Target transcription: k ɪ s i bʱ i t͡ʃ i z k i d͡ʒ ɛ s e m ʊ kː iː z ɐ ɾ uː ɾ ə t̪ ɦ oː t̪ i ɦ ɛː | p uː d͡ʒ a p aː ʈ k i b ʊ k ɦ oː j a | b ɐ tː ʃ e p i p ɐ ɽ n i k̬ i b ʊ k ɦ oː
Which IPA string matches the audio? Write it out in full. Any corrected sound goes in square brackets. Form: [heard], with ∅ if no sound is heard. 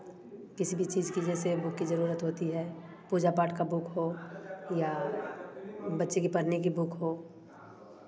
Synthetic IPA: k ɪ s i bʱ i t͡ʃ [iː] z k i d͡ʒ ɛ s e [b] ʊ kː [i] z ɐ ɾ uː ɾ ə t̪ ɦ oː t̪ i ɦ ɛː | p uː d͡ʒ a p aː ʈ k [a] b ʊ k ɦ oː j a | b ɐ tː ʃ e [k] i p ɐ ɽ n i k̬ i b ʊ k ɦ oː